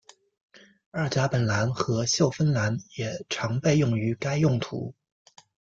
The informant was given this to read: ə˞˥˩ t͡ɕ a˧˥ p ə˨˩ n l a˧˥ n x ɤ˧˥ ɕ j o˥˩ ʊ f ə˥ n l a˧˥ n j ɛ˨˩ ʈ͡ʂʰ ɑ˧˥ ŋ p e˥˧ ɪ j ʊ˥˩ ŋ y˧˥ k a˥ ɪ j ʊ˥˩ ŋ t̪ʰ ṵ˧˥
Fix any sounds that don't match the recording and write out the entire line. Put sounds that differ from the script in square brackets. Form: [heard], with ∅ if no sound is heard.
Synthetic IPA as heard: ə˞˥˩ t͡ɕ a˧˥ p ə˨˩ n l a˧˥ n x ɤ˧˥ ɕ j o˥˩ ʊ f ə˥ n l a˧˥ n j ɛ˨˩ ʈ͡ʂʰ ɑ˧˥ ŋ p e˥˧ ɪ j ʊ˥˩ ŋ y˧˥ k a˥ ɪ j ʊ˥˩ ŋ t̪ʰ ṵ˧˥